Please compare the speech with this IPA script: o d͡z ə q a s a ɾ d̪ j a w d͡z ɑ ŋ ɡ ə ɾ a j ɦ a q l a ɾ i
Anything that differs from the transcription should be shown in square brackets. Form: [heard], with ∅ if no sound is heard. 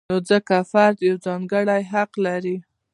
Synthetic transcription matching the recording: o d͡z ə [k] a [f] a ɾ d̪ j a w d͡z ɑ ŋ ɡ ə [ɽ] a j ɦ a q l a ɾ i

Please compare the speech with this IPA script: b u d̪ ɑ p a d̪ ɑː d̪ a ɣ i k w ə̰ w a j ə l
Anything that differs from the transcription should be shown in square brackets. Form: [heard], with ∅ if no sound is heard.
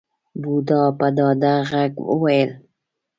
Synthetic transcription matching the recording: b u d̪ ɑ p a d̪ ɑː d̪ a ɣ [a] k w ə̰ w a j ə l

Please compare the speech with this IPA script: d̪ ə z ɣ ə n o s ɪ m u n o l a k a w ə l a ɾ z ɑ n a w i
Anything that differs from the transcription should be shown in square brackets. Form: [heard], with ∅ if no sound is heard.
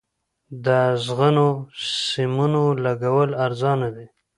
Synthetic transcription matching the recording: d̪ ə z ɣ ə n o s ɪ m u n o l a [ɡ] a w ə l a ɾ z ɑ n a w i

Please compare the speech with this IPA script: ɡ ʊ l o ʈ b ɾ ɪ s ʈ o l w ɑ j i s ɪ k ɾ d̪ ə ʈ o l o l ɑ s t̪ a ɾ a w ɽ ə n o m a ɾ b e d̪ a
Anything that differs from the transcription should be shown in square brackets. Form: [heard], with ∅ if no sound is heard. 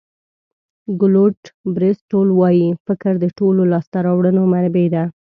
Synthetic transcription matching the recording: ɡ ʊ l o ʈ b ɾ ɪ s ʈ o l w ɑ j i [f] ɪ k ɾ d̪ ə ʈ o l o l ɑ s t̪ a ɾ [ɑ] w ɽ ə n o m a ɾ b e d̪ a

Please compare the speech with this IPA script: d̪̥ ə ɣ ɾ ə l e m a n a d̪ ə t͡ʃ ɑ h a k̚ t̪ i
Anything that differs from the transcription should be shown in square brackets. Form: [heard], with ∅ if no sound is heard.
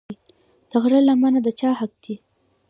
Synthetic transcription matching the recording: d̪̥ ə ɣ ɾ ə l [a] m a n a d̪ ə t͡ʃ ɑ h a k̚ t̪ i

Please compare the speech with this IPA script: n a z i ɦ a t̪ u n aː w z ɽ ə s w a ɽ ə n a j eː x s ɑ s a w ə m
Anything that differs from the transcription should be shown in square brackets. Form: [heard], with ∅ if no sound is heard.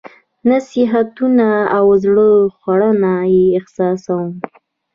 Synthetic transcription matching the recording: n a [s] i ɦ a t̪ u n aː w z ɽ ə [x] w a ɽ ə n a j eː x s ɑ s a w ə m

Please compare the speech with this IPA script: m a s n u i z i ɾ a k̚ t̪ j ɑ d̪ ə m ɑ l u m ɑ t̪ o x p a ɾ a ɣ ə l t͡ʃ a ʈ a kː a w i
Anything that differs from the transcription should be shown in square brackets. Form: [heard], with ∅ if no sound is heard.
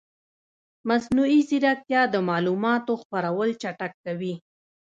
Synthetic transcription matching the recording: m a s n u i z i ɾ a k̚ t̪ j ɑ d̪ ə m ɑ l u m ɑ t̪ o x p a ɾ a [w] ə l t͡ʃ a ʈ a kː a w i

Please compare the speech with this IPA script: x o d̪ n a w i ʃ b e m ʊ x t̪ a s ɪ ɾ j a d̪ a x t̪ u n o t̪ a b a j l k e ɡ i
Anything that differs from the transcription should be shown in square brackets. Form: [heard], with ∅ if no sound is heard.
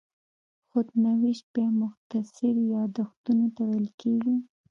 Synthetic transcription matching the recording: x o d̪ n a w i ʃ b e m ʊ x t̪ a s ɪ ɾ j [ɑ] d̪ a x t̪ u n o t̪ a [w] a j l k e ɡ i

